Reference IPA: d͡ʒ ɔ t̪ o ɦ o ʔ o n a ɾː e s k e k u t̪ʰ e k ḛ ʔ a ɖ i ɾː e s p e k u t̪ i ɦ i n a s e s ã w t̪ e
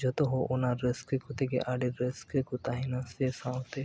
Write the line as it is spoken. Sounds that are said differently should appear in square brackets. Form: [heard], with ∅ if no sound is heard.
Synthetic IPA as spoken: d͡ʒ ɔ t̪ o ɦ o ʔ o n a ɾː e s k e k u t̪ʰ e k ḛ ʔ a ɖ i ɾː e s [k] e k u t̪ [a] ɦ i n a s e s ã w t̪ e